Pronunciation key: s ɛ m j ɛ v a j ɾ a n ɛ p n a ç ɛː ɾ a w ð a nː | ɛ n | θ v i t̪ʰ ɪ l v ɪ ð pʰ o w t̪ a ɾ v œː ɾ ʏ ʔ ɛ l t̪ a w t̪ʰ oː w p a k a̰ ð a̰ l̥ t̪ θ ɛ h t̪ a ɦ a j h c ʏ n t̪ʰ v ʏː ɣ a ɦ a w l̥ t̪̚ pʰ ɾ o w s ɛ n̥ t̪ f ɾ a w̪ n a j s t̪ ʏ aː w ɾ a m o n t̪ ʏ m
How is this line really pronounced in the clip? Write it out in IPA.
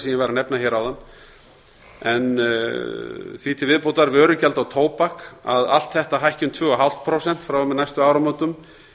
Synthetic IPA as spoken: s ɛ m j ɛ v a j ɾ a n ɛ p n a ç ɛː ɾ a w ð a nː | ɛ n | θ v i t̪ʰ ɪ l v ɪ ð p o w t̪ a ɾ v œː ɾ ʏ c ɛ l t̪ a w t̪ʰ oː w p a k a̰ ð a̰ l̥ t̪ θ ɛ h t̪ a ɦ a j h c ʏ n t̪ʰ v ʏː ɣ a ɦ a w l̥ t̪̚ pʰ ɾ o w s ɛ n̥ t̪ f ɾ a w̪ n a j s t̪ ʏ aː w ɾ a m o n t̪ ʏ m